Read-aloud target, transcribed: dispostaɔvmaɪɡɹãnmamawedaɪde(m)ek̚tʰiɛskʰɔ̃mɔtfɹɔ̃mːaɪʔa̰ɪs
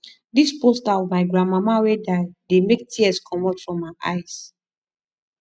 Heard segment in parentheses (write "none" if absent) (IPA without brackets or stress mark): m